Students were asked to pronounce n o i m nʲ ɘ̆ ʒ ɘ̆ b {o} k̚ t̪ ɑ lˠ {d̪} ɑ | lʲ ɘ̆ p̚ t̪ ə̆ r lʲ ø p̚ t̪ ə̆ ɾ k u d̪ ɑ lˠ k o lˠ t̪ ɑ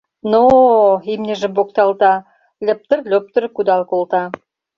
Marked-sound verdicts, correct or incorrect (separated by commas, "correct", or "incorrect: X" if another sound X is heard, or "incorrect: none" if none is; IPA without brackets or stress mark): correct, incorrect: t̪